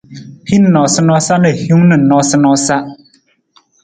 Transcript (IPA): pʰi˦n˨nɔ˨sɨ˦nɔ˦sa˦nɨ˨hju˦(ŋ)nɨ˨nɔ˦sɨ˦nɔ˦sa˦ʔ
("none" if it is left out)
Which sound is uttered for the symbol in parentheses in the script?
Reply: ŋ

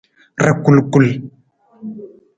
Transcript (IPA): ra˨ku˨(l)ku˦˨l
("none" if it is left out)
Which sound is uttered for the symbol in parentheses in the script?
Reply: l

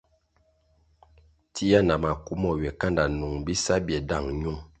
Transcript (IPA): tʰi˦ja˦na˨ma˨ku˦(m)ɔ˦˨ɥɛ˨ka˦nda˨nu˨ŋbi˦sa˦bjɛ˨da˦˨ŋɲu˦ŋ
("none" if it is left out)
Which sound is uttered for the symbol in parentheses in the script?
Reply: m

